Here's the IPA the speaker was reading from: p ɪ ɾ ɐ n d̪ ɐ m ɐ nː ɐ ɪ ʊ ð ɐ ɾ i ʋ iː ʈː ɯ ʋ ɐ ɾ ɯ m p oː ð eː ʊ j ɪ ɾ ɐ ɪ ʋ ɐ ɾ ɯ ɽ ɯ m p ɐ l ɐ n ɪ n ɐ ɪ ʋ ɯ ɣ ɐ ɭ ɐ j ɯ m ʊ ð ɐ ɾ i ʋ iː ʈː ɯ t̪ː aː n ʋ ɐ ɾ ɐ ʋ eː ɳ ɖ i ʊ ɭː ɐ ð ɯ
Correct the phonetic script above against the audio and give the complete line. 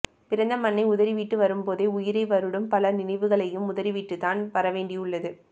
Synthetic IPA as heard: p ɪ ɾ ɐ n d̪ ɐ m ɐ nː ɐ ɪ ʊ ð ɐ ɾ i ʋ iː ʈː ɯ ʋ ɐ ɾ ɯ m p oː ð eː ʊ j ɪ ɾ ɐ ɪ ʋ ɐ ɾ ɯ ɽ ɯ m p ɐ l ɐ n ɪ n ɐ ɪ ʋ ɯ ɣ ɐ ɭ ɐ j ɯ m ʊ ð ɐ ɾ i ʋ iː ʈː ɯ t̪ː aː n ʋ ɐ ɾ ɐ ʋ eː ɳ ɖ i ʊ ɭː ɐ ð ɯ